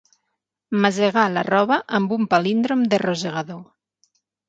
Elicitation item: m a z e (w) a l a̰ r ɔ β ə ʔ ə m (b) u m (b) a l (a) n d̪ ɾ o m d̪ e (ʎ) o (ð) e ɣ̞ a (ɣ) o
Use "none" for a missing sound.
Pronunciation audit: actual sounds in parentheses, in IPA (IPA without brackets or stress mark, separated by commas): ɣ, b, p, i, r, z, ð